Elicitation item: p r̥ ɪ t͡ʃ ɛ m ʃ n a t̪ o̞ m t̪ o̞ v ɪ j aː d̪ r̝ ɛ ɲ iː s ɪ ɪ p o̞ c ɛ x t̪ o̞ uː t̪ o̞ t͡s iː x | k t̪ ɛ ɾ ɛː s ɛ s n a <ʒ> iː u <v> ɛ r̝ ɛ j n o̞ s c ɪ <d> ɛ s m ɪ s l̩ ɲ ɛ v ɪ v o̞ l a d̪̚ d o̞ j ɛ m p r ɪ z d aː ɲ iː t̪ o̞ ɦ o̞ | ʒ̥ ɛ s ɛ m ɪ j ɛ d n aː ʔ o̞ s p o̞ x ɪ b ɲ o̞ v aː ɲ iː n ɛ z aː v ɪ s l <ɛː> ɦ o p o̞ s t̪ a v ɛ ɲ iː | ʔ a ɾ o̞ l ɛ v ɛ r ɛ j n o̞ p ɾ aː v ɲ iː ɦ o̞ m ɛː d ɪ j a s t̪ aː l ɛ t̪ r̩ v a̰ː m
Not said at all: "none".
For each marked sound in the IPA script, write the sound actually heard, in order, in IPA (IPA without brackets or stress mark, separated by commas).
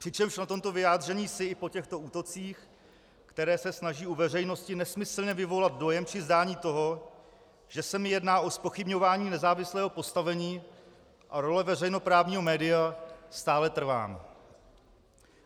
ʒ, v, n, ɛː